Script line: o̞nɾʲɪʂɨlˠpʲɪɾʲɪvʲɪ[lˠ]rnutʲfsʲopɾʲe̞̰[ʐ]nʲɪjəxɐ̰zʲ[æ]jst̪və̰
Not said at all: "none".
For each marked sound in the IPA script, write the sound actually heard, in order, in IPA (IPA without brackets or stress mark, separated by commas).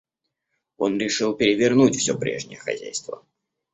none, ʐ, æ